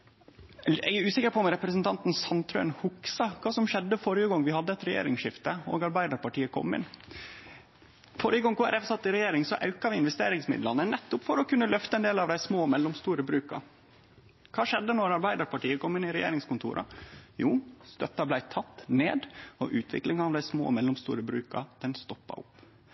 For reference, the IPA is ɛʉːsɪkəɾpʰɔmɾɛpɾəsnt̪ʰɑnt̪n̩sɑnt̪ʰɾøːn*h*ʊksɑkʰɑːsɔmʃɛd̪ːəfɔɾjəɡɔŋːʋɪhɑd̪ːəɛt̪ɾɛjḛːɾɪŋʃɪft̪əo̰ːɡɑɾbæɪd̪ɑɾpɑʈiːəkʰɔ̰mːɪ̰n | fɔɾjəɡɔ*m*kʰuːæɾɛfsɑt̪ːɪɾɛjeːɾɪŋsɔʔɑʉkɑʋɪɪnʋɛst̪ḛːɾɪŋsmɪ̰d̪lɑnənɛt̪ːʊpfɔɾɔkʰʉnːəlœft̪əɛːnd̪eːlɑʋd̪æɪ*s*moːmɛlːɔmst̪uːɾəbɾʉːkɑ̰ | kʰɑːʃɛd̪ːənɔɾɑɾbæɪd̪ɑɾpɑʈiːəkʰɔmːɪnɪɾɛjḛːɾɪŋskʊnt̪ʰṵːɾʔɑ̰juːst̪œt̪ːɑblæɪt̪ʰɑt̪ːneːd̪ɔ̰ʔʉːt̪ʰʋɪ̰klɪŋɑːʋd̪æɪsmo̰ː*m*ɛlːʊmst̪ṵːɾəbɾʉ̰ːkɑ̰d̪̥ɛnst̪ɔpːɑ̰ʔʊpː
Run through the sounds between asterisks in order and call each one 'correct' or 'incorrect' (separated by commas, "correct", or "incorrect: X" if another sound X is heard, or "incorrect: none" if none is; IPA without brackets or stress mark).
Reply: correct, incorrect: ŋ, correct, correct